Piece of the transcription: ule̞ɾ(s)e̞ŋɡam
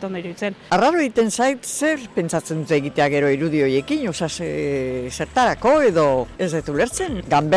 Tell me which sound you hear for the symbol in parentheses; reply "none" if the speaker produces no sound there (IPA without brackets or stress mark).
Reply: t͡s